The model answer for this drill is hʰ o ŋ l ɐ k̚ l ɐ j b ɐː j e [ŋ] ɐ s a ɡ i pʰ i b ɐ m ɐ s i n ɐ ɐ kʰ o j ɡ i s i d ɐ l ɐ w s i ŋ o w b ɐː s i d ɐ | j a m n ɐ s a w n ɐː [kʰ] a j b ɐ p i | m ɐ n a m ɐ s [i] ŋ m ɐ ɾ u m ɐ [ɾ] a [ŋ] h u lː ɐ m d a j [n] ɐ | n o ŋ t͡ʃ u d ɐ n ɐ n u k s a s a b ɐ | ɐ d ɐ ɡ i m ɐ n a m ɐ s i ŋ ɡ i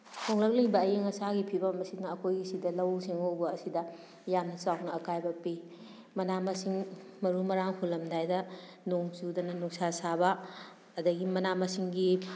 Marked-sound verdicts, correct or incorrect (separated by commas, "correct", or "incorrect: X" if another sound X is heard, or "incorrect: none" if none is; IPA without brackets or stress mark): correct, incorrect: k, correct, correct, correct, incorrect: d